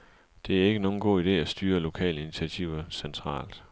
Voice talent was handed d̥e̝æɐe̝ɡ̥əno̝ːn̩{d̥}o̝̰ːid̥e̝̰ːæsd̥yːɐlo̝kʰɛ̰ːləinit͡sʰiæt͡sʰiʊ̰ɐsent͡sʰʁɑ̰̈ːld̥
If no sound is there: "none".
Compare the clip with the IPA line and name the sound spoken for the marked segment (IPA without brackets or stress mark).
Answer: ɡ̥